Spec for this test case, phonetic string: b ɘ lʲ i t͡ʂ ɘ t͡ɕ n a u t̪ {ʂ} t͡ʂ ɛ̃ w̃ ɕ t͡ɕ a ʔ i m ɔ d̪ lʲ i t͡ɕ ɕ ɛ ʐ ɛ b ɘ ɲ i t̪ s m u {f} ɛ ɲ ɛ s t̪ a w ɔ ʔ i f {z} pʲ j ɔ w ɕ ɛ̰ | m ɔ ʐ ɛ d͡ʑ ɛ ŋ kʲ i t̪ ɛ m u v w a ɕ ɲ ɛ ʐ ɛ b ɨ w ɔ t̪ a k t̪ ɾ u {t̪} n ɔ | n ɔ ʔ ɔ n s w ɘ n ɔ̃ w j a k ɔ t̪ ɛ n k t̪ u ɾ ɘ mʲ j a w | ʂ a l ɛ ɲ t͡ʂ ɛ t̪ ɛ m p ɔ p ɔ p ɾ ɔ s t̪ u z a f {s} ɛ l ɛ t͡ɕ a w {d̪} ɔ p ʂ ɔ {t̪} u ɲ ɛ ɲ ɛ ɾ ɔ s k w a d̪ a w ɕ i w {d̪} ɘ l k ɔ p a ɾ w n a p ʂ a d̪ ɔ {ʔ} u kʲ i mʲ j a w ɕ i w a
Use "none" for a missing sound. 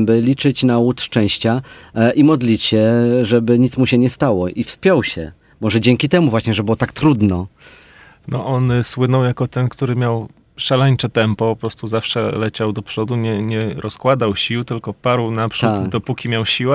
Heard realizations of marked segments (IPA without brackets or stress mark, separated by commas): ʂ, ɕ, s, d̪, ʂ, d̪, d̪, t̪, p